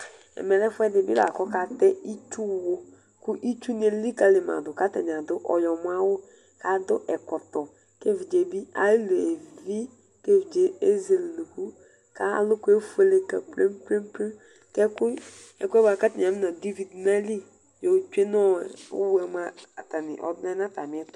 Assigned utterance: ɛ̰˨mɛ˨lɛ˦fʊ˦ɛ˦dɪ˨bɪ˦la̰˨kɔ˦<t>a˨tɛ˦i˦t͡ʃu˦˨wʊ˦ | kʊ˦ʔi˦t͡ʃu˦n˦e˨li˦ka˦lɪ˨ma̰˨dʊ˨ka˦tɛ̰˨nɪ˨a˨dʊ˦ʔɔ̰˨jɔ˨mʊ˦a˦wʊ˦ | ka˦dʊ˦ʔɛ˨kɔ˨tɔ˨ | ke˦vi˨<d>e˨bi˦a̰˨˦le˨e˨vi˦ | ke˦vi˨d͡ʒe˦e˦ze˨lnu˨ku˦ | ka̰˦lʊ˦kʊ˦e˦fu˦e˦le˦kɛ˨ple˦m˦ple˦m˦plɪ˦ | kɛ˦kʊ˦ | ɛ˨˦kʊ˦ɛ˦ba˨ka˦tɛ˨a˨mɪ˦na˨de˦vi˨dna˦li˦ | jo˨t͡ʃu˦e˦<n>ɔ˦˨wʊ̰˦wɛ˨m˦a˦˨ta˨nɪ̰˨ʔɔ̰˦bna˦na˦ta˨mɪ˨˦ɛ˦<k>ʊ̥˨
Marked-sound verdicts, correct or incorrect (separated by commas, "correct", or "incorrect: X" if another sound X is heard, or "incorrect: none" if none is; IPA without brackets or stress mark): incorrect: k, incorrect: d͡ʒ, correct, incorrect: t